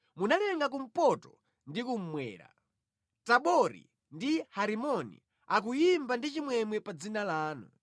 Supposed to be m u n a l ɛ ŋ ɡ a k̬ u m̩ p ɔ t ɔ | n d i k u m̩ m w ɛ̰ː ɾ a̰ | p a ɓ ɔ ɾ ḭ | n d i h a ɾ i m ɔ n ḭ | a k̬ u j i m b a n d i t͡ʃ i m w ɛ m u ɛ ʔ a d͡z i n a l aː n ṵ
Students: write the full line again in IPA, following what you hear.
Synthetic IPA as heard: m u n a l ɛ ŋ ɡ a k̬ u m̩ p ɔ t ɔ | n d i k u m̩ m w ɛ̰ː ɾ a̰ | t a ɓ ɔ ɾ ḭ | n d i h a ɾ i m ɔ n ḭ | a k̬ u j i m b a n d i t͡ʃ i m w ɛ m w ɛ p a d͡z i n a l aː n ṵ

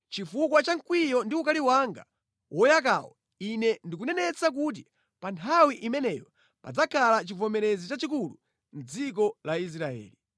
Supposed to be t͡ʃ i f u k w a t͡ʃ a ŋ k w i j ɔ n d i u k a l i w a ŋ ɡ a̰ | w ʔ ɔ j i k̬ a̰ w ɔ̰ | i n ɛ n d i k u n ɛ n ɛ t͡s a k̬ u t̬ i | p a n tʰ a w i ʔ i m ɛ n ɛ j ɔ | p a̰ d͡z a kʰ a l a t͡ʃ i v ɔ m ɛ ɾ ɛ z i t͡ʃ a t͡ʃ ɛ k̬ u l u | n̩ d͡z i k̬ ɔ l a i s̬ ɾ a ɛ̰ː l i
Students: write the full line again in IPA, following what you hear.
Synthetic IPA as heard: t͡ʃ i f u k w a t͡ʃ a ŋ k w i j ɔ n d i u k a l i w a ŋ ɡ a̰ | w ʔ ɔ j a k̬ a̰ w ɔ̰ | i n ɛ n d i k u n ɛ n ɛ t͡s a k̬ u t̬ i | p a n tʰ a w i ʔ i m ɛ n ɛ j ɔ | p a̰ d͡z a kʰ a l a t͡ʃ i v ɔ m ɛ ɾ ɛ z i t͡ʃ a t͡ʃ i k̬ u l u | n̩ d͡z i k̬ ɔ l a i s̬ ɾ a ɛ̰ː l i

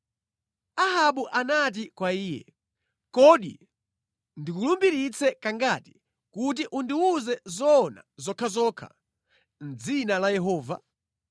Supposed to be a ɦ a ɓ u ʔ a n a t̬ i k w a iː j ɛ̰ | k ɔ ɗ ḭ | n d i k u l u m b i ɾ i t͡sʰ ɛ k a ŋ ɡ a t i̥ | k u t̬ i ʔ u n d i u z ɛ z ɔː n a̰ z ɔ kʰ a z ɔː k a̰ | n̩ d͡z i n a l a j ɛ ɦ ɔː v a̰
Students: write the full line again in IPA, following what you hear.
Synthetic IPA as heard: a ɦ a ɓ u ʔ a n a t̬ i k w a iː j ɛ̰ | k ɔ ɗ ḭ | n d i k u l u m b i ɾ i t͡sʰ ɛ k a ŋ ɡ a t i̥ | k u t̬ i ʔ u n d i u z ɛ z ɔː n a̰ z ɔ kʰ a z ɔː kʰ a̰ | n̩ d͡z i n a l a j ɛ ɦ ɔː v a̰

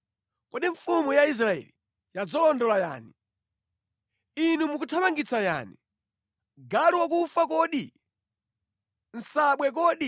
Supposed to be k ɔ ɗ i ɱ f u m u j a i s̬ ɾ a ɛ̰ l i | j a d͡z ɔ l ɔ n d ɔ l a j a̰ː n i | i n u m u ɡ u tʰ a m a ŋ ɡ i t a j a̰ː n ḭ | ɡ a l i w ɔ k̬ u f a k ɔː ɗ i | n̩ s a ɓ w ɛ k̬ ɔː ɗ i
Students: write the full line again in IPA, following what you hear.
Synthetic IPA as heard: k ɔ ɗ i ɱ f u m u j a i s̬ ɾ a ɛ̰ l i | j a d͡z ɔ l ɔ n d ɔ l a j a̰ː n i | i n u m u k u tʰ a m a ŋ ɡ i t͡s a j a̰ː n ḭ | ɡ a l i w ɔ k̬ u f a k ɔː ɗ i | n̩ s a ɓ w ɛ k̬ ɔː ɗ i

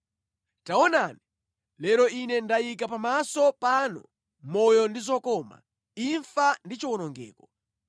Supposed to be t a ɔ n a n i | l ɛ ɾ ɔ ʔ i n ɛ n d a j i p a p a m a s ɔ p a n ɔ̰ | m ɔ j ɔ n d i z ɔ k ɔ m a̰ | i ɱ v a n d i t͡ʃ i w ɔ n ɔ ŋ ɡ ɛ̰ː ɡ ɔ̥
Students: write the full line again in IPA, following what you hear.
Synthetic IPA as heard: t a ɔ n a n i | l ɛ ɾ ɔ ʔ i n ɛ n d a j i k a p a m a s ɔ p a n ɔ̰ | m ɔ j ɔ n d i z ɔ k ɔ m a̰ | i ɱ f a n d i t͡ʃ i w ɔ n ɔ ŋ ɡ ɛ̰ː k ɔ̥

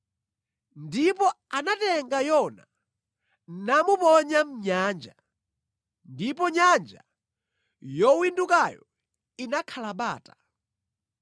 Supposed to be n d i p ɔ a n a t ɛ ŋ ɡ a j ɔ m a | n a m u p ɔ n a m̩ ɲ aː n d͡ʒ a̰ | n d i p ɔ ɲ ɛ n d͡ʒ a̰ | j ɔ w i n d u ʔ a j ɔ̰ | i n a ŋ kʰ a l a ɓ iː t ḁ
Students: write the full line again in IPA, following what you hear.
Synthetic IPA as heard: n d i p ɔ a n a t ɛ ŋ ɡ a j ɔ n a | n a m u p ɔ ɲ a m̩ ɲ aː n d͡ʒ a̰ | n d i p ɔ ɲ a n d͡ʒ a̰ | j ɔ w i n d u k a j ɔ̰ | i n a kʰ a l a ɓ aː t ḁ

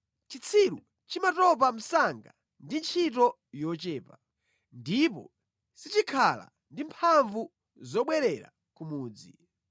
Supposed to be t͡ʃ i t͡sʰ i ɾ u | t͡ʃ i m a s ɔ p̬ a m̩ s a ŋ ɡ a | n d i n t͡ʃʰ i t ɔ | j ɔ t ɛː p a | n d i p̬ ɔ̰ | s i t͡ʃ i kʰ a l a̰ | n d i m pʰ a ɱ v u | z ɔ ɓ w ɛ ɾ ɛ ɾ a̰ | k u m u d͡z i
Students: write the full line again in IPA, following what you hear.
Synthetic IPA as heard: t͡ʃ i t͡sʰ i ɾ u | t͡ʃ i m a t ɔ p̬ a m̩ s a ŋ ɡ a | n d i n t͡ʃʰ i t ɔ | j ɔ t͡ʃ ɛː p a | n d i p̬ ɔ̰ | s i t͡ʃ i kʰ a l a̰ | n d i m pʰ a ɱ v u | z ɔ ɓ w ɛ ɾ ɛ ɾ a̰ | k u m uː d͡z i

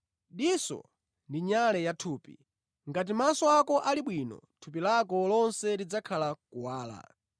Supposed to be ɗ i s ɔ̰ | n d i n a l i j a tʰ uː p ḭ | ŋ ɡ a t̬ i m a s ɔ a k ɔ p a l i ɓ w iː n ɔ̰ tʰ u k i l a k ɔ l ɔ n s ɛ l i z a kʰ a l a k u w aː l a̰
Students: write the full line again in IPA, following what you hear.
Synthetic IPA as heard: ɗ i s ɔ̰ | n d i ɲ a l ɛ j a tʰ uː p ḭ | ŋ ɡ a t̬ i m a s ɔ a k ɔ ʔ a l i ɓ w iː n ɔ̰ tʰ u p i l a k ɔ l ɔ n s ɛ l i d͡z a kʰ a l a k u w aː l a̰

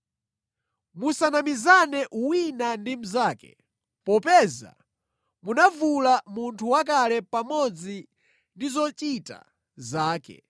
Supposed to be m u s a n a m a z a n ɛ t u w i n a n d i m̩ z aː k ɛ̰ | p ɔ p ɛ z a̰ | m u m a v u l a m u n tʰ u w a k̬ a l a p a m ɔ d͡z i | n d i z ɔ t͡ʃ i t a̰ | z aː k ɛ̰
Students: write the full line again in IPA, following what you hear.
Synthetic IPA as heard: m u s a n a m i z a n ɛ ʔ u w i n a n d i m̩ z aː k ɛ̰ | p ɔ p ɛ z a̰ | m u n a v u l a m u n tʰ u w a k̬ a l ɛ p a m ɔ d͡z i | n d i z ɔ t͡ʃ i t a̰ | z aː k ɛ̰

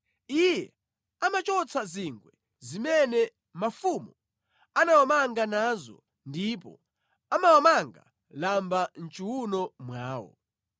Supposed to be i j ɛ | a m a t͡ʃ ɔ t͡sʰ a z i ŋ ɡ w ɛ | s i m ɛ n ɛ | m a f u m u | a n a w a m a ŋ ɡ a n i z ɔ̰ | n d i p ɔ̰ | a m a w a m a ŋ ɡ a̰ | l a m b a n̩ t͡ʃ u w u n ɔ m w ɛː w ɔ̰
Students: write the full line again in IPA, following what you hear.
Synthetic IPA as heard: i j ɛ | a m a t͡ʃ ɔ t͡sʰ a z i ŋ ɡ w ɛ | z i m ɛ n ɛ | m a f u m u | a n a w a m a ŋ ɡ a n a z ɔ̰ | n d i p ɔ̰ | a m a w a m a ŋ ɡ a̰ | l a m b a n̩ t͡ʃ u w u n ɔ m w aː w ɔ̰

